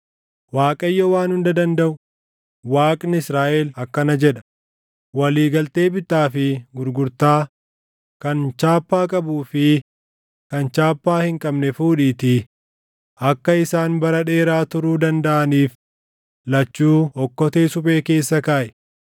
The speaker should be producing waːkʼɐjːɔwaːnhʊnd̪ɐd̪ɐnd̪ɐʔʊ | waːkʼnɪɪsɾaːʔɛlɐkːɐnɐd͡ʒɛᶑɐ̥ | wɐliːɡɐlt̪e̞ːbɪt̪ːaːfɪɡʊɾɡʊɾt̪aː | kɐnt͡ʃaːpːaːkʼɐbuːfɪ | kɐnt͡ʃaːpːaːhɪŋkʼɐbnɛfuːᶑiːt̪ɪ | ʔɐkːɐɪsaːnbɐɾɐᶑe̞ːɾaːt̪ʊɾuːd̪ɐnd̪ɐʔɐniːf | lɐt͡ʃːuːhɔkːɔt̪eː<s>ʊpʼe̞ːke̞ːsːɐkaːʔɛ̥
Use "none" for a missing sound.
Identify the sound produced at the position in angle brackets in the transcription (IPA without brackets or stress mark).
s